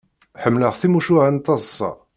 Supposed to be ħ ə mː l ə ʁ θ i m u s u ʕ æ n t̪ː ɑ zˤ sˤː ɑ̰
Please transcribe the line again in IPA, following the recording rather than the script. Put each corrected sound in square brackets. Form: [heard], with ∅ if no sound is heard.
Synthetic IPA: ħ ə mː l ə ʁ θ i m u [ʃ] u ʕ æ n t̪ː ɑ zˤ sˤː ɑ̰